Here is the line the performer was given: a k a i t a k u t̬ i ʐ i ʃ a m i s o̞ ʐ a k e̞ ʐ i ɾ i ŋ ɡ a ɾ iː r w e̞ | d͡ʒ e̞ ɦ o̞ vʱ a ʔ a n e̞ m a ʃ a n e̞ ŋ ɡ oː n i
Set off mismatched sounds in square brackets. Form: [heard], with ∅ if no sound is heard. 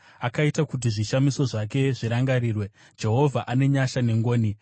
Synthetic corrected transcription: a k a i t a k u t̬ i ʐ i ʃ a m i s o̞ ʐ a k e̞ ʐ i ɾ [a] ŋ ɡ a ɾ iː r w e̞ | d͡ʒ e̞ ɦ o̞ vʱ a ʔ a n e̞ [ɲ] a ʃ a n e̞ ŋ ɡ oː n i